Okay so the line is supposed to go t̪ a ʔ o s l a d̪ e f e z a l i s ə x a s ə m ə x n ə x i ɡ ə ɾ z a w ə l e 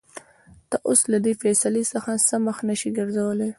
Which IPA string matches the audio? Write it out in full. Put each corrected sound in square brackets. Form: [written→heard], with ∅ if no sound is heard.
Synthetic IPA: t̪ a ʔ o s l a d̪ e f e [z→s] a l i s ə x a s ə m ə x n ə [x→ʃ] i ɡ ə ɾ z a w ə l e

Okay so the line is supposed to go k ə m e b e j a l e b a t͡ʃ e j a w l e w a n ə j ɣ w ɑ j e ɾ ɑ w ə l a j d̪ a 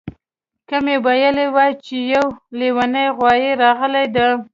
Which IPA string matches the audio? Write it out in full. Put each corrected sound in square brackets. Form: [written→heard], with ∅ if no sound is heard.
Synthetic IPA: k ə m e b [e→a] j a l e [b→w] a t͡ʃ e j a w l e w a n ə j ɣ w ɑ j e ɾ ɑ [w→ɣ] ə l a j d̪ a

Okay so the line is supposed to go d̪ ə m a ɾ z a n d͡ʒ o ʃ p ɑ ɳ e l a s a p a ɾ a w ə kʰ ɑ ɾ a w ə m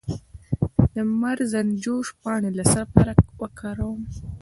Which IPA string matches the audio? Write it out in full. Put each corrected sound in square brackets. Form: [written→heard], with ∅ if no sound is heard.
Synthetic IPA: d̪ ə m a ɾ z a n d͡ʒ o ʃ p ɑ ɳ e l a s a p a ɾ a w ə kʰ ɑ ɾ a w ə m

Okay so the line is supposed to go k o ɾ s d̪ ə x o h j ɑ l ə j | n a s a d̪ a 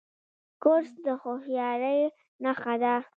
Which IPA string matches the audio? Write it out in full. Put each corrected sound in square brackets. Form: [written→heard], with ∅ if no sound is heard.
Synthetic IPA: k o ɾ s d̪ ə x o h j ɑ [l→ɾ] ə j | n a [s→x] a d̪ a

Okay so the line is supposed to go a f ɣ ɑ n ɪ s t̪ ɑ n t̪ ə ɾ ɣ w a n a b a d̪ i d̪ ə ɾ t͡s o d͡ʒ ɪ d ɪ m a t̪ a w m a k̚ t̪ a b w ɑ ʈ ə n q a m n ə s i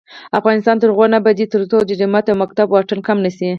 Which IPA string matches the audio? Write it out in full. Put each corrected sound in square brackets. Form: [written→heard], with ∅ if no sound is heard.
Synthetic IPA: a f ɣ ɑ n ɪ s t̪ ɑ n t̪ ə ɾ ɣ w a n a b a d̪ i [d̪→t̪] ə ɾ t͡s o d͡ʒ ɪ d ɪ m a t̪ a w m a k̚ t̪ a b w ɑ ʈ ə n [q→k] a m n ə s i

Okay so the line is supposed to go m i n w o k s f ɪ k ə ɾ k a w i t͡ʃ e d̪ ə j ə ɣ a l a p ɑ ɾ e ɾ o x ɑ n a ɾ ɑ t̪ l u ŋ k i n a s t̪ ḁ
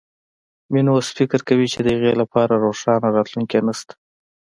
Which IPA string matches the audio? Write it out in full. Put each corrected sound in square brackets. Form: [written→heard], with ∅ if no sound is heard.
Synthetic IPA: m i n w o [k→∅] s f ɪ k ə ɾ k a w i t͡ʃ e d̪ ə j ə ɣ [a→e] l a p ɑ ɾ [e→a] ɾ o [x→ʂ] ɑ n a ɾ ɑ t̪ l u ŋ k [i→e] n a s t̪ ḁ

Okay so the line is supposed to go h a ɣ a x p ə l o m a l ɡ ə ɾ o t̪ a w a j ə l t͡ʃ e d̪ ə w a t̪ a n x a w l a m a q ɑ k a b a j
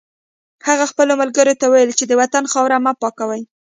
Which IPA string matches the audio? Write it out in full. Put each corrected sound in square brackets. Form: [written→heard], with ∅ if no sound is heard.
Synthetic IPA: h a ɣ a x p ə l o m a l ɡ ə ɾ o t̪ a w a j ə l t͡ʃ e d̪ ə w a t̪ a n x [a→ɑ] w [l→ɾ] a m a [q→p] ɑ k a [b→w] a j

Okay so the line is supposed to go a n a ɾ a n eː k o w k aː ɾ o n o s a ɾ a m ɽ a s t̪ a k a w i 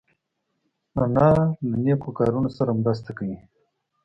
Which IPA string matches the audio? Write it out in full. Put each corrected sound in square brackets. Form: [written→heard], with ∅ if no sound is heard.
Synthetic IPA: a n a [ɾ→l] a n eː k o [w→∅] k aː ɾ [o→u] n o s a ɾ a m [ɽ→ɾ] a s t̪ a k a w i

